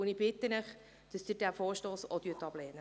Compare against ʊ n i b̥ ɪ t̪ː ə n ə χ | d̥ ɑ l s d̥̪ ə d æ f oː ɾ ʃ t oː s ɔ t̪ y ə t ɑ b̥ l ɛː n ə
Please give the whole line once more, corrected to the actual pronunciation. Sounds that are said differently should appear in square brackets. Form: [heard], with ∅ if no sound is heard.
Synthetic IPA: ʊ n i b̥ ɪ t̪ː ə n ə χ | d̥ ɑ [∅] s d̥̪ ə d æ f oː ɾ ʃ t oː s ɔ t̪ y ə t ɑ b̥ l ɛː n ə